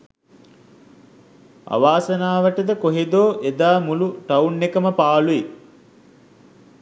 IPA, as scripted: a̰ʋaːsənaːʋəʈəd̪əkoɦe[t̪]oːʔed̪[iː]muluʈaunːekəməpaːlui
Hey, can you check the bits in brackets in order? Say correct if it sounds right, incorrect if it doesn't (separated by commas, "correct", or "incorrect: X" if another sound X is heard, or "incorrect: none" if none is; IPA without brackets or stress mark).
incorrect: d̪, incorrect: aː